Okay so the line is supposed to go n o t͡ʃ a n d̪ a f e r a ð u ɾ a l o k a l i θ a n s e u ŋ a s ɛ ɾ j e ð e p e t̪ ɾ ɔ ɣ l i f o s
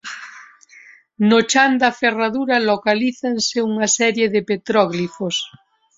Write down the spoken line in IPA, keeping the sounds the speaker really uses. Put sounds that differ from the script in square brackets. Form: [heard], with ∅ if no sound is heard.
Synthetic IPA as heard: n o t͡ʃ a n d̪ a f e r a ð u ɾ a l o k a l i θ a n s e u ŋ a s ɛ ɾ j e ð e p e t̪ ɾ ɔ ɣ l i f o s